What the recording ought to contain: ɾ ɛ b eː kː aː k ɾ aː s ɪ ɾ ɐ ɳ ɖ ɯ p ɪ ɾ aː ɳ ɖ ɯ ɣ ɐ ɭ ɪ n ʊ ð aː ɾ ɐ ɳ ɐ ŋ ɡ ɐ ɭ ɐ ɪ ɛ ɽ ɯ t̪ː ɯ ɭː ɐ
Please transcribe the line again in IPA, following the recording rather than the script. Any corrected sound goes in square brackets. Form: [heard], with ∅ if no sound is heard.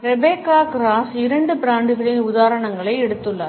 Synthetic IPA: ɾ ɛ b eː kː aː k ɾ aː s ɪ ɾ ɐ ɳ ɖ ɯ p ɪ ɾ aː ɳ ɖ ɯ ɣ ɐ ɭ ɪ n ʊ ð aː ɾ ɐ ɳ ɐ ŋ ɡ ɐ ɭ ɐ ɪ ɛ ɽ ɯ t̪ː ɯ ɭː ɐ

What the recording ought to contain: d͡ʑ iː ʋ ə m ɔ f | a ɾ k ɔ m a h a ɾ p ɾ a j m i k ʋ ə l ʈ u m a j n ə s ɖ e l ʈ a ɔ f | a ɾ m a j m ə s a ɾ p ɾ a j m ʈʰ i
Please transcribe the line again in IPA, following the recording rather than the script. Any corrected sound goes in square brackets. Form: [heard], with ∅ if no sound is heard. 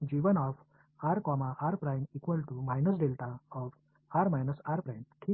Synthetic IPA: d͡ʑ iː ʋ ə [n] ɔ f | a ɾ k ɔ m a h a ɾ p ɾ a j m i k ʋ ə l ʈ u m a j n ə s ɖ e l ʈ a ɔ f | a ɾ m a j [n] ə s a ɾ p ɾ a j m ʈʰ i

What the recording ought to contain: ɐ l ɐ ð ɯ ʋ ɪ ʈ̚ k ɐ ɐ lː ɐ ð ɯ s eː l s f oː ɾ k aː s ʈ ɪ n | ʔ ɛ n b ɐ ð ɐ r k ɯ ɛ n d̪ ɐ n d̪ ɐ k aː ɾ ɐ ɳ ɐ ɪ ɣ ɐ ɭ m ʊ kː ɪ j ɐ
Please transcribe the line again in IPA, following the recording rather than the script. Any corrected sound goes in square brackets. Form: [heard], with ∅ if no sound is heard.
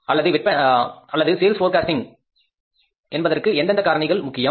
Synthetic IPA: ɐ [lː] ɐ ð ɯ ʋ ɪ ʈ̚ [p] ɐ ɐ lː ɐ ð ɯ s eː l s f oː ɾ k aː s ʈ ɪ [ŋ] | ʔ ɛ n b ɐ ð ɐ r k ɯ ɛ n d̪ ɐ n d̪ ɐ k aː ɾ ɐ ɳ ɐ ɪ ɣ ɐ ɭ m ʊ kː ɪ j ɐ

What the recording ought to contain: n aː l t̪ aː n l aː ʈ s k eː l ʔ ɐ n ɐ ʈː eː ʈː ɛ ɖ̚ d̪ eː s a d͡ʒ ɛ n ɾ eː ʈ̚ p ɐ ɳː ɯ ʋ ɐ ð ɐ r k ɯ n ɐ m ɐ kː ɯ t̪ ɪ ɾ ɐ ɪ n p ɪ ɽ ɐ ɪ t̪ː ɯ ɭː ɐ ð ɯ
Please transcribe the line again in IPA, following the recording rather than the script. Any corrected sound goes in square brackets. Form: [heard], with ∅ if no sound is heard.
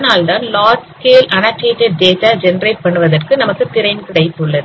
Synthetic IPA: n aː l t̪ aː n l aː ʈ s k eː l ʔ ɐ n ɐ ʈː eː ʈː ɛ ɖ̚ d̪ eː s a d͡ʒ ɛ n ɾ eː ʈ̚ p ɐ ɳː ɯ ʋ ɐ ð ɐ r k ɯ n ɐ m ɐ kː ɯ t̪ ɪ ɾ ɐ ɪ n [k] ɪ ɽ ɐ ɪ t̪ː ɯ ɭː ɐ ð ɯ

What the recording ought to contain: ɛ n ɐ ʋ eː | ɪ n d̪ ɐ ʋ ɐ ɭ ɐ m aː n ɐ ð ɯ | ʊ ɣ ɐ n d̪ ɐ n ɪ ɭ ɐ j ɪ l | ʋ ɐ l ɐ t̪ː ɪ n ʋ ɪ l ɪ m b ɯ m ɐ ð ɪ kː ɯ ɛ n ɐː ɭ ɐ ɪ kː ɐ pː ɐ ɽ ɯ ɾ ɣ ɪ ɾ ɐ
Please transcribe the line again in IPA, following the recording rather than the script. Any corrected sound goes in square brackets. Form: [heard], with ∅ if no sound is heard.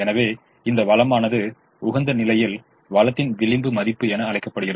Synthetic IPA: ɛ n ɐ ʋ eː | ɪ n d̪ ɐ ʋ ɐ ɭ ɐ m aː n ɐ ð ɯ | ʊ ɣ ɐ n d̪ ɐ n ɪ [l] ɐ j ɪ l | ʋ ɐ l ɐ t̪ː ɪ n ʋ ɪ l ɪ m b ɯ m ɐ ð ɪ [pː] ɯ ɛ n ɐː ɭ ɐ ɪ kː ɐ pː ɐ ɽ ɯ [∅] ɣ ɪ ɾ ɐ

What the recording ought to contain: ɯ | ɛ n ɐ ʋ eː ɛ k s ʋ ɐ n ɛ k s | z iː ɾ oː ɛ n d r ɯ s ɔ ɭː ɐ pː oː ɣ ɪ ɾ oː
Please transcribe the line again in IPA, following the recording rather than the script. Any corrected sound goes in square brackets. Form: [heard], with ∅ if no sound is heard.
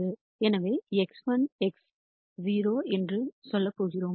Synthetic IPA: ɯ | ɛ n ɐ ʋ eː ɛ k s ʋ ɐ n ɛ k s | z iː ɾ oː ɛ n d r ɯ s ɔ [lː] ɐ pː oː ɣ ɪ ɾ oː

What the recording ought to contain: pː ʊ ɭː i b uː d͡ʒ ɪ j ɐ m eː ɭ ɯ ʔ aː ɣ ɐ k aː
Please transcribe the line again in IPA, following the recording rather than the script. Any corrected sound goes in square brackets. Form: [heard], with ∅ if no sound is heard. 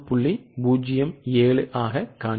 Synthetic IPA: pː ʊ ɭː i b uː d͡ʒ ɪ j ɐ m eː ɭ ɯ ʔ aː ɣ ɐ k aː

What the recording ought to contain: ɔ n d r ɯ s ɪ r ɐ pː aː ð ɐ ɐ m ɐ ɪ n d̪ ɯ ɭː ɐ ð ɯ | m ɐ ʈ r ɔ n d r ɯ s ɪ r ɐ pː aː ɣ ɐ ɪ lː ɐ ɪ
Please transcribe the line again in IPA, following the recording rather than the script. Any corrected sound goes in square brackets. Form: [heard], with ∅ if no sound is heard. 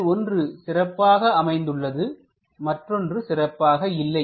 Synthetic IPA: ɔ n d r ɯ s ɪ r ɐ pː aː [ɣ] ɐ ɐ m ɐ ɪ n d̪ ɯ ɭː ɐ ð ɯ | m ɐ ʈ r ɔ n d r ɯ s ɪ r ɐ pː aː ɣ ɐ ɪ lː ɐ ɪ

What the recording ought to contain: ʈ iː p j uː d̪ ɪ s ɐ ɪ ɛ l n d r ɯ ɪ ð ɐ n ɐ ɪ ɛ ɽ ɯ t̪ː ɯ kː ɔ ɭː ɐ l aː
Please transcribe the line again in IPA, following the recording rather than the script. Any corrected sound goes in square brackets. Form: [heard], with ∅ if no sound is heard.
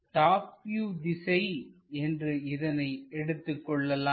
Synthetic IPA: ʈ [aː] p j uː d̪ ɪ s ɐ ɪ ɛ [∅] n d r ɯ ɪ ð ɐ n ɐ ɪ ɛ ɽ ɯ t̪ː ɯ kː ɔ ɭː ɐ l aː

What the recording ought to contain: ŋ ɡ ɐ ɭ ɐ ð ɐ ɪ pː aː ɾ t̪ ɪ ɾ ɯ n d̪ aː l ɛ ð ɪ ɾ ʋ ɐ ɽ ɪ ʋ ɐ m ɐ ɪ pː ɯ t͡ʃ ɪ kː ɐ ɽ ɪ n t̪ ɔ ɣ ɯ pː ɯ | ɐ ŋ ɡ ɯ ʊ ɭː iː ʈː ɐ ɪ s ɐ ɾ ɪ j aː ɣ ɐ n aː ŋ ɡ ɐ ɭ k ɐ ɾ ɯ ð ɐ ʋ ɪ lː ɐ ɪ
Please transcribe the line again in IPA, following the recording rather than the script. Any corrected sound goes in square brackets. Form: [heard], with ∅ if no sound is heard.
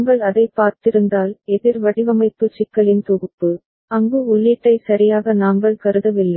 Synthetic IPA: ŋ ɡ ɐ ɭ ɐ ð ɐ ɪ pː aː ɾ t̪ ɪ ɾ ɯ n d̪ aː l ɛ ð ɪ ɾ ʋ ɐ ɽ ɪ ʋ ɐ m ɐ ɪ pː ɯ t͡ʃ ɪ kː ɐ [ɭ] ɪ n t̪ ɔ ɣ ɯ pː ɯ | ɐ ŋ ɡ ɯ ʊ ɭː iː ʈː ɐ ɪ s ɐ ɾ ɪ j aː ɣ ɐ n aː ŋ ɡ ɐ ɭ k ɐ ɾ ɯ ð ɐ ʋ ɪ lː ɐ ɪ

